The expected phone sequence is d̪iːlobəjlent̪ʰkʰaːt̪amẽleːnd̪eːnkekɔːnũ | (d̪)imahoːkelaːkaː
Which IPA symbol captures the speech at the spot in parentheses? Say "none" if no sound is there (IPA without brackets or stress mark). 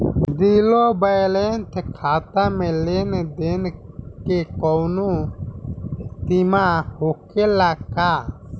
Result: t̪